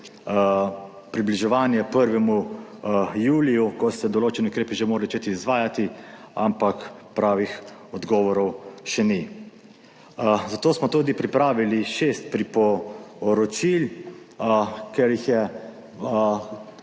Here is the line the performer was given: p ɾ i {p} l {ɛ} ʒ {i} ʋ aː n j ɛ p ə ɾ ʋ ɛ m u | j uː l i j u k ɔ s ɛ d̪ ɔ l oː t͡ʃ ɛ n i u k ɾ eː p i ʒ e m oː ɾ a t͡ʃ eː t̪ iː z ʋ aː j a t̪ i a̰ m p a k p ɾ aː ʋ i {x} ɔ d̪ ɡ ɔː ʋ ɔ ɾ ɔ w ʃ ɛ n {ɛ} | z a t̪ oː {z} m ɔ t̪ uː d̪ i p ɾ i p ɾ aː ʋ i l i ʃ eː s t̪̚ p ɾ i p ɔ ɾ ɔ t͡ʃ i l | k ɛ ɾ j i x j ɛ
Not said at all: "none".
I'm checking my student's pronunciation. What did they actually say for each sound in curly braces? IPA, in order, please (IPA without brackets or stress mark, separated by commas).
b, i, ɛ, x, i, s